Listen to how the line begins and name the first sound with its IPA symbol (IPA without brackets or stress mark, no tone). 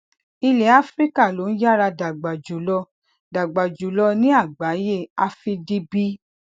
i